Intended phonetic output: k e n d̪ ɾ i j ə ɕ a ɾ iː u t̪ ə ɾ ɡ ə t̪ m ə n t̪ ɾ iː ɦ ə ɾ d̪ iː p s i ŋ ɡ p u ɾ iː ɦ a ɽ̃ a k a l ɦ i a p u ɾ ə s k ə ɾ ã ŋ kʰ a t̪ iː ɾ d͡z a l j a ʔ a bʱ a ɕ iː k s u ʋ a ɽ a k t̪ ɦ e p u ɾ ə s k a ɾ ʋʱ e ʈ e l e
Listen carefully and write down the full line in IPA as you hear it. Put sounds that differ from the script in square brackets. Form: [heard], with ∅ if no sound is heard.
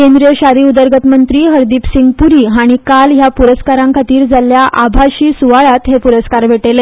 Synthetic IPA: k e n d̪ ɾ i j ə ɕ a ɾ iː u [d̪] ə ɾ ɡ ə t̪ m ə n t̪ ɾ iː ɦ ə ɾ d̪ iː p s i ŋ ɡ p u ɾ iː ɦ a ɽ̃ [i] k a l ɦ [j] a p u ɾ ə s k [a] ɾ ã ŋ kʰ a t̪ iː ɾ d͡z a l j a ʔ a bʱ a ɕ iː [∅] s u ʋ a [ɭ] a [∅] t̪ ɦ e p u ɾ ə s k a ɾ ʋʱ e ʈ e l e